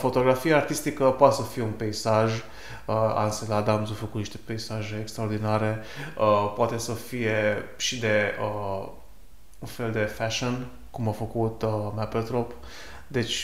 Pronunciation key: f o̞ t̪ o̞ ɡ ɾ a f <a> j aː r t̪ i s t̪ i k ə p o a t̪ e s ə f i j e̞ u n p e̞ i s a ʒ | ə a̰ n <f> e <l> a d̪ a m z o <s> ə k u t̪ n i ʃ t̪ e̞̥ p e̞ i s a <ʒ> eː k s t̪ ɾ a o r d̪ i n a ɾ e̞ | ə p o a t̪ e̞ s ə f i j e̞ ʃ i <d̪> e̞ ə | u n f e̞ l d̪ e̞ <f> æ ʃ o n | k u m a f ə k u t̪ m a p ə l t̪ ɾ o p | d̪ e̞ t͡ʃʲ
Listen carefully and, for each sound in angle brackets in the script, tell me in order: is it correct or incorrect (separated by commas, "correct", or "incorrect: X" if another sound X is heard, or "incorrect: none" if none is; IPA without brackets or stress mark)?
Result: incorrect: i, incorrect: s, correct, incorrect: f, correct, correct, correct